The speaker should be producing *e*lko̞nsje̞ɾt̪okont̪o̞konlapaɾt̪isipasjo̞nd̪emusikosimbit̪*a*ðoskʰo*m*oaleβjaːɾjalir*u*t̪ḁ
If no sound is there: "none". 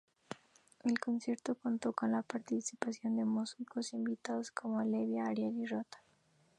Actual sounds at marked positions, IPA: e, a, m, o

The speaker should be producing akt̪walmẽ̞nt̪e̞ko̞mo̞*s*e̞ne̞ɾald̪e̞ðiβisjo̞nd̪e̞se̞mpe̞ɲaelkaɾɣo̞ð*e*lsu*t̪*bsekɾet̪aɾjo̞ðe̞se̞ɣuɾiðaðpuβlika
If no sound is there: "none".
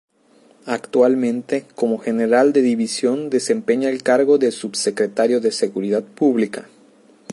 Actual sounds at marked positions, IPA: x, e, none

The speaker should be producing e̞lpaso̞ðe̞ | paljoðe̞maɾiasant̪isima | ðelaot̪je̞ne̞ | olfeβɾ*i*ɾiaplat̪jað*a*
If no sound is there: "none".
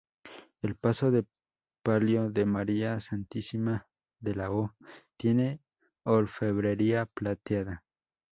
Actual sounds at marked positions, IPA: e, a

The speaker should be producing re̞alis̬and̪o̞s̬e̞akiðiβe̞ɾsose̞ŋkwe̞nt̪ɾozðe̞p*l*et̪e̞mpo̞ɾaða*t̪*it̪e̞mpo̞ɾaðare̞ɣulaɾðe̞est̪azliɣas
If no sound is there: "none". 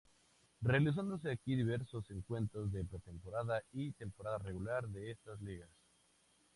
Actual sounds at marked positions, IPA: ɾ, none

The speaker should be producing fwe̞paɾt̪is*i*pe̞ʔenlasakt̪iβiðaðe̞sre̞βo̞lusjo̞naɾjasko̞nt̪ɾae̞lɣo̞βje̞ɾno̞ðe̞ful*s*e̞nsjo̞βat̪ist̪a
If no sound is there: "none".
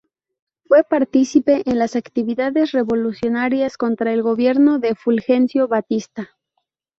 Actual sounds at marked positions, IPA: i, x

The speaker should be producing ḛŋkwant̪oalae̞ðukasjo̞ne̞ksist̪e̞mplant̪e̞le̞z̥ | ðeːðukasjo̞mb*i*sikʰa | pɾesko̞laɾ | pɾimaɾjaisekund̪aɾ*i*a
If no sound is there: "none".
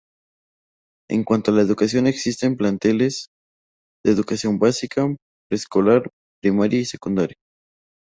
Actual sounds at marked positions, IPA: a, j

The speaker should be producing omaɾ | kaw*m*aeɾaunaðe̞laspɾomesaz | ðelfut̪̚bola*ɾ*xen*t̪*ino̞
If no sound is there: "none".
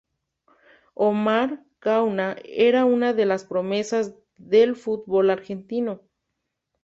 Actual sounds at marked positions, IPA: n, ɾ, t̪

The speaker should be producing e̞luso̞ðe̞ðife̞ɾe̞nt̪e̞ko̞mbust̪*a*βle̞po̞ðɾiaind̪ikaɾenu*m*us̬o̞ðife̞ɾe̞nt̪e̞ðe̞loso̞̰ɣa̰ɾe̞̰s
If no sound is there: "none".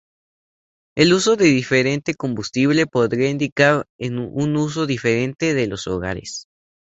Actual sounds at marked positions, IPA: i, n

